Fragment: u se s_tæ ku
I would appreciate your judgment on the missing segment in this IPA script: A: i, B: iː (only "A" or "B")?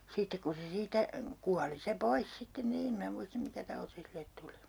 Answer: B